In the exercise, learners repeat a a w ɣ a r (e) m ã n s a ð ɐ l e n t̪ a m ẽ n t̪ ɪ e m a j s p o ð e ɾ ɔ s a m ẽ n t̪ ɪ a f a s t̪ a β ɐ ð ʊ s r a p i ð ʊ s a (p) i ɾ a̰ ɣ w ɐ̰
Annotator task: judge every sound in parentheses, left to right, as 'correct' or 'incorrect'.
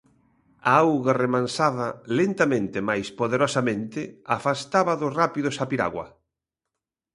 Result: correct, correct

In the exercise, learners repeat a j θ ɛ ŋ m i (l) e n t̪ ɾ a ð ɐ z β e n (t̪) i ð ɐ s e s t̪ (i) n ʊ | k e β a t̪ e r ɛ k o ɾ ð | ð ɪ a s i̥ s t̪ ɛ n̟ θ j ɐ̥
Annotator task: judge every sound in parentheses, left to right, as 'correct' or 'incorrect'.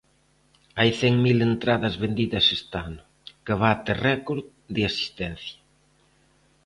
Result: correct, incorrect, incorrect

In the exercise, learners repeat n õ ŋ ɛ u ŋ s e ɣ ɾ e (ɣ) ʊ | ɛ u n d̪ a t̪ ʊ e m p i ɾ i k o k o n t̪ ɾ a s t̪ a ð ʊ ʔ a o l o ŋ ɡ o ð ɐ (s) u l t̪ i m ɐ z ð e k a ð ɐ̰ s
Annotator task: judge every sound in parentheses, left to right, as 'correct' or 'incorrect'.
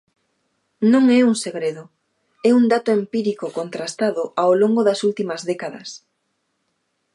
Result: incorrect, correct

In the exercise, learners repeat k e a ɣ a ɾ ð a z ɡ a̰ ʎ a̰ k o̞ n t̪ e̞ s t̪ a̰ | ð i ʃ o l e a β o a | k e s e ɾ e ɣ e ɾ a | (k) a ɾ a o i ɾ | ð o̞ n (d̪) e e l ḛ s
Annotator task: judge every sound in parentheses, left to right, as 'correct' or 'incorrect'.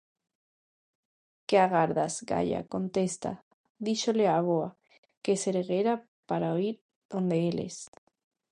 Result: incorrect, correct

